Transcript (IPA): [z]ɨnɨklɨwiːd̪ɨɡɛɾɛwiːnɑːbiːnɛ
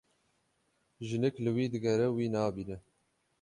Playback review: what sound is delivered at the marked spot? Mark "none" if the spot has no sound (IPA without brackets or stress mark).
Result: ʒ